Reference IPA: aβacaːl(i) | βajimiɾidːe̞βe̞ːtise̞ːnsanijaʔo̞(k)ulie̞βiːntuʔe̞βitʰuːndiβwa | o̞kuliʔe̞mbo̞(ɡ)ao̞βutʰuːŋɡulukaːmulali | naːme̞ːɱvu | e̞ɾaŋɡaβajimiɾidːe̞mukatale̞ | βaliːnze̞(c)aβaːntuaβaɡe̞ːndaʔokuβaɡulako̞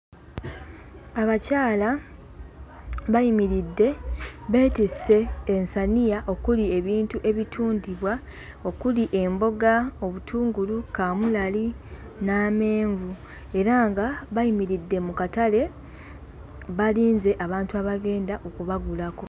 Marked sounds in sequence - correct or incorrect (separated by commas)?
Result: incorrect, correct, correct, incorrect